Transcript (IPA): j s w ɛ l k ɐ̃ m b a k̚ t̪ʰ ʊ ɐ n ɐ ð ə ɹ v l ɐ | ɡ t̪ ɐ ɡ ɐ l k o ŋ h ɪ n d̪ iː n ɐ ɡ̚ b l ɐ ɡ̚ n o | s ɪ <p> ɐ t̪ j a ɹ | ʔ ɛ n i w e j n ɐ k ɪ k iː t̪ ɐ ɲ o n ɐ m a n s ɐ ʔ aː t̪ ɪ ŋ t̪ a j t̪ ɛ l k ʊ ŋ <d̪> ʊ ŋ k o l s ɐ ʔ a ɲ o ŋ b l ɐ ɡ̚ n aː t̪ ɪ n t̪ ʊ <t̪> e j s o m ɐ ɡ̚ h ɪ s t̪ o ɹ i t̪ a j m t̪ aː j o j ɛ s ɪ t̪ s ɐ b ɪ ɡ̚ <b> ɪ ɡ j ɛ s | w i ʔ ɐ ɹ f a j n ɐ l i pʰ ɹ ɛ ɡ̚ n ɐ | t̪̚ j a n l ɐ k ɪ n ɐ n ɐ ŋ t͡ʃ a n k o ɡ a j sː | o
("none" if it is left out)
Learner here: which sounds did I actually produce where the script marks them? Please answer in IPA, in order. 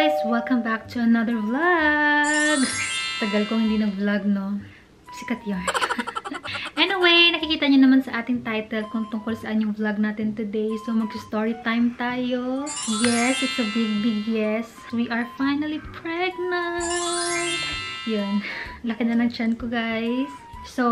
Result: k, t̪, d̪, b

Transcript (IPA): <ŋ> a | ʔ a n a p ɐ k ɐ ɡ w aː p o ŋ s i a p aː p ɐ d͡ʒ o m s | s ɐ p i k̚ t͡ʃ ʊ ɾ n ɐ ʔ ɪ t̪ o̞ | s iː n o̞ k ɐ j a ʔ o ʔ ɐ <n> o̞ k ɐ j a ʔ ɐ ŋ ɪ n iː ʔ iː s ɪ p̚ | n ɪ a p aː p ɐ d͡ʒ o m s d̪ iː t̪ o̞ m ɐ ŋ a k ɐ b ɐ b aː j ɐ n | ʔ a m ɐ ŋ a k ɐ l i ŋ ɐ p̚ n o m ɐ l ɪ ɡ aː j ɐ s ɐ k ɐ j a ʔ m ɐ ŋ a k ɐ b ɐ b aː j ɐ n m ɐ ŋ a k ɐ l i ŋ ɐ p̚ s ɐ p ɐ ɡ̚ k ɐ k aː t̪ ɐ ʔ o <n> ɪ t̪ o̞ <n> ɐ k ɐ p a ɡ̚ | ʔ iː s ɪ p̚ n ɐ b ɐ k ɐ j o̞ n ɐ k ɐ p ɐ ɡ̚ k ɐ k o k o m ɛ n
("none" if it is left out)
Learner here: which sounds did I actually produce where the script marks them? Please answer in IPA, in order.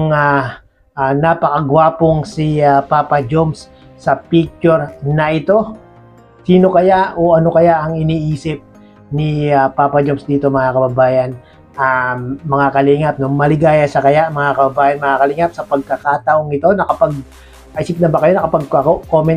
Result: ŋ, n, ŋ, n

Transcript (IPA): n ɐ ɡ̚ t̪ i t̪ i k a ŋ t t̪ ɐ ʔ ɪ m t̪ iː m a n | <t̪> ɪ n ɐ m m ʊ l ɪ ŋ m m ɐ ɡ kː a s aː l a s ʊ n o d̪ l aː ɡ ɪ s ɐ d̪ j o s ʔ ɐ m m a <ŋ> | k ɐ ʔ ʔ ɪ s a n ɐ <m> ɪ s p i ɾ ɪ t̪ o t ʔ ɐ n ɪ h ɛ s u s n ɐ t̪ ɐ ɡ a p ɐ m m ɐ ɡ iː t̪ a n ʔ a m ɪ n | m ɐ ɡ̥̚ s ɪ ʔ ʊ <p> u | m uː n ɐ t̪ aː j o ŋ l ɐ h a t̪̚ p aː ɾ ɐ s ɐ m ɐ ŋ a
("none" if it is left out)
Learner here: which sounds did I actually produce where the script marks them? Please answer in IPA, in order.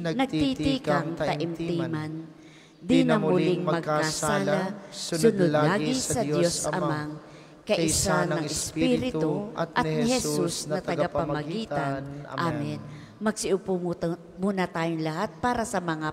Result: d̪, ŋ, ŋ, p

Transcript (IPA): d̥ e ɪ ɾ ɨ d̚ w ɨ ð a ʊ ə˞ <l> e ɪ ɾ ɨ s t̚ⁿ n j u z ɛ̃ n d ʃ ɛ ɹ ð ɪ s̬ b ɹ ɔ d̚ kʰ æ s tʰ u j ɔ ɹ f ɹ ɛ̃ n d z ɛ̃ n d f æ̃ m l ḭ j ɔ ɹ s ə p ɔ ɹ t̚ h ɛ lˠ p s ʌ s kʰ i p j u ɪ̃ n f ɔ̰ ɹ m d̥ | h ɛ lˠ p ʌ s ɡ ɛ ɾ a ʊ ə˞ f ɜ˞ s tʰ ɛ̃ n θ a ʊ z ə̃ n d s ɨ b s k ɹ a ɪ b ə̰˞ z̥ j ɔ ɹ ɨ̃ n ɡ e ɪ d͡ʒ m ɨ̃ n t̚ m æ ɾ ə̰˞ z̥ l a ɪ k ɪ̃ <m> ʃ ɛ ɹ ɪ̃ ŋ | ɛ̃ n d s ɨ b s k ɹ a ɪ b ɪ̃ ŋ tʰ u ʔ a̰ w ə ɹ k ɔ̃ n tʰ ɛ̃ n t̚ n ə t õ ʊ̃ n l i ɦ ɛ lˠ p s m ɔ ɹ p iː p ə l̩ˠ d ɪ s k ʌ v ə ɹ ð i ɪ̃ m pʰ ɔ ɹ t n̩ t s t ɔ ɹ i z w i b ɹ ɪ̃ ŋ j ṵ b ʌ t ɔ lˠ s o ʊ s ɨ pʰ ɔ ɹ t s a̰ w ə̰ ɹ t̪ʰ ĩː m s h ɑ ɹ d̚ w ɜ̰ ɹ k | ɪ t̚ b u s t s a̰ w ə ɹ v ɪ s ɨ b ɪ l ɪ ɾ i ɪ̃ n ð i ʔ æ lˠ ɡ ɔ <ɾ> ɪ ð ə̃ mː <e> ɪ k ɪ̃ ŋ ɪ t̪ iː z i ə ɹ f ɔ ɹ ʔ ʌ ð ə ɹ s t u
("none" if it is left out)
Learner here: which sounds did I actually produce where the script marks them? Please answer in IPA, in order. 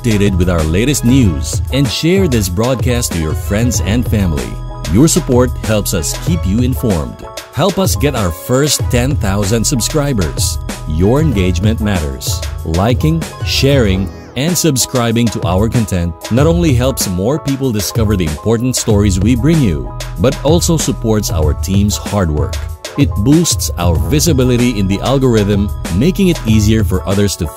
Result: l, ŋ, ɹ, e

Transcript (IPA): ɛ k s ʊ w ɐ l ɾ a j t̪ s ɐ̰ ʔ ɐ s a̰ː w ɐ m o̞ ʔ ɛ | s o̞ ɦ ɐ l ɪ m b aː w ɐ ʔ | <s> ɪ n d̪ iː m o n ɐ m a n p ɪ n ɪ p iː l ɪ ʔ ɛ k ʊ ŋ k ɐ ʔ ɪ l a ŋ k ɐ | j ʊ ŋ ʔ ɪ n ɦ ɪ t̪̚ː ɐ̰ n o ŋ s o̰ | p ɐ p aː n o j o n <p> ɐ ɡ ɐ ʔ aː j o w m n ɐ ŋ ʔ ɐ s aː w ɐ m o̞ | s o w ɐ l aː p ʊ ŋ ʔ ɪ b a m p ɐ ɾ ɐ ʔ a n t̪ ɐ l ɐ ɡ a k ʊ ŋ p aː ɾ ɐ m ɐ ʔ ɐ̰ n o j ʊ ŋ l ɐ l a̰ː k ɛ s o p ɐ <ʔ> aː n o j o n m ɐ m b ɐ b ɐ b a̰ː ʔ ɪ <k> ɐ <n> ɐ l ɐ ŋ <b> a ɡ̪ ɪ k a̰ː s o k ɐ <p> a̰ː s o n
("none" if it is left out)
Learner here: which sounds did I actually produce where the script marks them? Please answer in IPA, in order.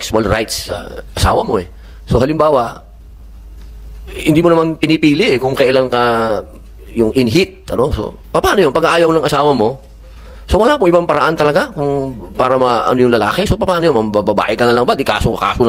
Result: h, p, p, k, n, b, k

